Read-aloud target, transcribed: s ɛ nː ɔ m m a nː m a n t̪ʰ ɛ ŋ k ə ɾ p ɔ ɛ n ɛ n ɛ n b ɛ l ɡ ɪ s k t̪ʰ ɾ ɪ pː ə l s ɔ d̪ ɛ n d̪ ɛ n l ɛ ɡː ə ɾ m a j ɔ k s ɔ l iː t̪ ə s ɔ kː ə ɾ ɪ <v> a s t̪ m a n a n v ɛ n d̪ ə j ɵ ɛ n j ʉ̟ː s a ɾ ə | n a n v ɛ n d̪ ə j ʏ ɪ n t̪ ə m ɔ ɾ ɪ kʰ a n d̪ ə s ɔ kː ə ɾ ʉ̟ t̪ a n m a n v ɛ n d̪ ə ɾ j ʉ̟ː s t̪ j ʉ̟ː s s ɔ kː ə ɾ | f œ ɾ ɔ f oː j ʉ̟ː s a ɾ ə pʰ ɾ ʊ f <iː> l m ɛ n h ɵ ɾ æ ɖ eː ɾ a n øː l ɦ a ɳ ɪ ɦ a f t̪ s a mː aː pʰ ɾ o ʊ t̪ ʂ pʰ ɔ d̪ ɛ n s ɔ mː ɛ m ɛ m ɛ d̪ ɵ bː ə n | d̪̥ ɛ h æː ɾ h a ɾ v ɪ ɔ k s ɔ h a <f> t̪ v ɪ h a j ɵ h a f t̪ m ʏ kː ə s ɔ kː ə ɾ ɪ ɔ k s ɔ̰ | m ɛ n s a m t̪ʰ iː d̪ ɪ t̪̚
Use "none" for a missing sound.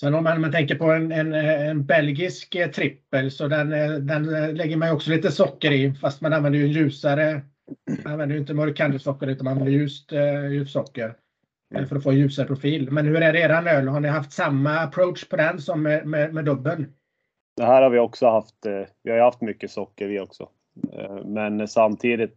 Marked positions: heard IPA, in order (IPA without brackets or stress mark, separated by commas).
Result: f, iː, f